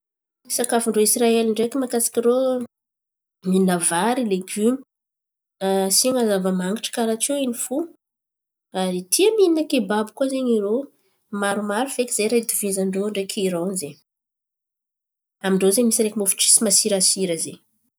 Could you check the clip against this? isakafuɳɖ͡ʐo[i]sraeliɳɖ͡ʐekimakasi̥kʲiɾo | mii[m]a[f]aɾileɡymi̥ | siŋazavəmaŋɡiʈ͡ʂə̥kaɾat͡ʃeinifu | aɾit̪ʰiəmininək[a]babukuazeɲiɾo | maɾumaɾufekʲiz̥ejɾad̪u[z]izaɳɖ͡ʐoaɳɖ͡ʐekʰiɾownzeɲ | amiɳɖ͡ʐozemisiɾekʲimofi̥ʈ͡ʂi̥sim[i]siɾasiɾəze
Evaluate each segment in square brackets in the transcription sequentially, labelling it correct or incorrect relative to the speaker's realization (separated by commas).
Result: correct, incorrect, incorrect, incorrect, incorrect, incorrect